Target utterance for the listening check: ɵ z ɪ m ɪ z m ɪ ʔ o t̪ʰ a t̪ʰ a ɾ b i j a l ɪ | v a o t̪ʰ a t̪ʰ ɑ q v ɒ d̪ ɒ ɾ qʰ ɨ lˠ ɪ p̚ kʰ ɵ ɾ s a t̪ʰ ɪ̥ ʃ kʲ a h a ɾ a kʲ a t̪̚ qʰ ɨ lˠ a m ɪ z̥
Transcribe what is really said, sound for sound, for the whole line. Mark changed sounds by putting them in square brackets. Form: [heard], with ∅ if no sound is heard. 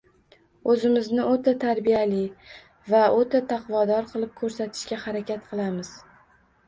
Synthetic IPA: ɵ z ɪ m ɪ z [n] ɪ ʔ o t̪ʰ a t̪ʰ a ɾ b i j a l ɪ | v a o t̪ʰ a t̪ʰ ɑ q v ɒ d̪ ɒ ɾ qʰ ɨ lˠ ɪ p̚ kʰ ɵ ɾ s a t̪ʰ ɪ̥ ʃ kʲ a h a ɾ a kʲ a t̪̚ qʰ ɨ lˠ a m ɪ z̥